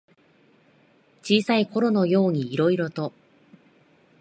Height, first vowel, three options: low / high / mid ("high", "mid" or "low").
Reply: high